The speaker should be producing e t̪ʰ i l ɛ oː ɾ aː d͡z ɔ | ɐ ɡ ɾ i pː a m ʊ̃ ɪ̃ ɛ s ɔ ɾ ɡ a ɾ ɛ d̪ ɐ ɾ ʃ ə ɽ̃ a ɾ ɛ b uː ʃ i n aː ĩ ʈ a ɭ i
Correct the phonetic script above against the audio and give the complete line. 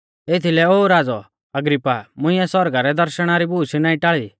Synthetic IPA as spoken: e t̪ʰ i l ɛ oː ɾ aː d͡z ɔ | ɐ ɡ ɾ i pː a m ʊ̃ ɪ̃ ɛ s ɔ ɾ ɡ a ɾ ɛ d̪ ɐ ɾ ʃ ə ɽ̃ a ɾ i b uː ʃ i n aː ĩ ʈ a ɭ i